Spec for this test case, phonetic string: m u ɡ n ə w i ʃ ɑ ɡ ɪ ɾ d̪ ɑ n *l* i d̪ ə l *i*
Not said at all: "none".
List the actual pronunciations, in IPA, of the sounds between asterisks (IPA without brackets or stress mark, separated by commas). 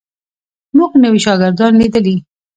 l, i